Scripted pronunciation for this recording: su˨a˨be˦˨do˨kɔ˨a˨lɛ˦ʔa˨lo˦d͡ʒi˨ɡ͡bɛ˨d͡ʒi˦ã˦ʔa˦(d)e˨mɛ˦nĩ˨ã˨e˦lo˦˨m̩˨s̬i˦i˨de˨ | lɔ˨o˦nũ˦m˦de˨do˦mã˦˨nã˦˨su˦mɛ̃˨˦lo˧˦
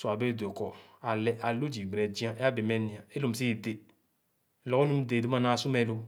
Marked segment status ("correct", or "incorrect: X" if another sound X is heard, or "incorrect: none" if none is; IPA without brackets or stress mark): incorrect: b